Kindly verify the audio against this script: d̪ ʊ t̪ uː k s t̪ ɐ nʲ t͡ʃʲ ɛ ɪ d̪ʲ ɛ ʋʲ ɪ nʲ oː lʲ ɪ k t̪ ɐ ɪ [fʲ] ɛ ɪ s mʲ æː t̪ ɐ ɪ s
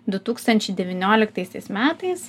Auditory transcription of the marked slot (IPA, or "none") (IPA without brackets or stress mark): sʲ